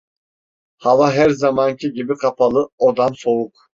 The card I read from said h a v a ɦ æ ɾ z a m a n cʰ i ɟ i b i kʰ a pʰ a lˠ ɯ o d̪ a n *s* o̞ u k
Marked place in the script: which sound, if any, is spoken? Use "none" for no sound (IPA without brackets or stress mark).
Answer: s